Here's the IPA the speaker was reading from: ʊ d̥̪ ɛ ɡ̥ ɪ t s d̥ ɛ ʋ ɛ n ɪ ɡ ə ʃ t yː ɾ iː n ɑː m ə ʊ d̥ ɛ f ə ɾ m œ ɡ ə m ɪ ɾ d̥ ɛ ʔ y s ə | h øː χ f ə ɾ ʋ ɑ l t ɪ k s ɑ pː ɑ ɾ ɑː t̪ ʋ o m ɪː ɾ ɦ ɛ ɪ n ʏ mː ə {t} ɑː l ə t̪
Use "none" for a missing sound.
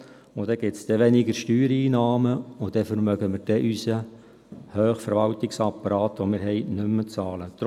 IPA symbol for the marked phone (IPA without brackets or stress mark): t͡s